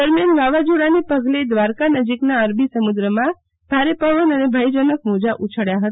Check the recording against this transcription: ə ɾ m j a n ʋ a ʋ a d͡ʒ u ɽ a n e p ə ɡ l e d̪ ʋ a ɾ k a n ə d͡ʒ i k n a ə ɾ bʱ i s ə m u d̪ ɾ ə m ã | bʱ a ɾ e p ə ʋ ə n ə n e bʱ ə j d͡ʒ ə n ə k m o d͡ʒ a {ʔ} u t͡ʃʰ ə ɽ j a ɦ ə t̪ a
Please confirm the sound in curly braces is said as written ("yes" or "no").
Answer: yes